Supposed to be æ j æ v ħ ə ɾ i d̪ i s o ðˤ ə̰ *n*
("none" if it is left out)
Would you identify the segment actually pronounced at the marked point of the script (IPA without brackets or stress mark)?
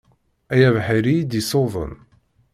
n